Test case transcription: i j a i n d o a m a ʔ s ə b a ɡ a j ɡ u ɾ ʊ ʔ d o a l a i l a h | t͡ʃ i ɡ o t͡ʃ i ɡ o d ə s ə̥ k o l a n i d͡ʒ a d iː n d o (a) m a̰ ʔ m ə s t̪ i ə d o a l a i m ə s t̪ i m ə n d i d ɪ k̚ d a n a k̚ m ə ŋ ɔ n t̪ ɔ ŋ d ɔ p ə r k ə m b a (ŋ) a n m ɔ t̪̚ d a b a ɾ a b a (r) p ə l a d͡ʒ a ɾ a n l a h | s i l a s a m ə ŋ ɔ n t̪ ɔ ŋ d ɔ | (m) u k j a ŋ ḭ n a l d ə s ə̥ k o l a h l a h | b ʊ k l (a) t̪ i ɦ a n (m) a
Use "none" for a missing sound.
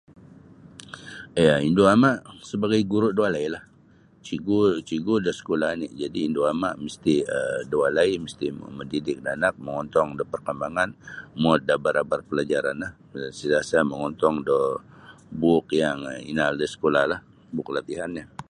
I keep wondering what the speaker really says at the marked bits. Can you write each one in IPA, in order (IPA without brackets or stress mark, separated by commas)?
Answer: a, ŋ, r, b, a, ɲ